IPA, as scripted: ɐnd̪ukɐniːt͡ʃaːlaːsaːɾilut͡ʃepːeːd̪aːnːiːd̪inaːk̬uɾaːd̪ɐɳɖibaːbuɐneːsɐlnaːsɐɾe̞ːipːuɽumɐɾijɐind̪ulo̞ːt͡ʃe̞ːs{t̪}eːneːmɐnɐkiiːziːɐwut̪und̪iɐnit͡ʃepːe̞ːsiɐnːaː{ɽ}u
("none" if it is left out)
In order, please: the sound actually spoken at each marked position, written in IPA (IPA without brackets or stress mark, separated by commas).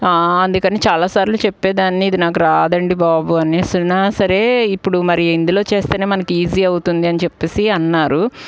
t̪, ɾ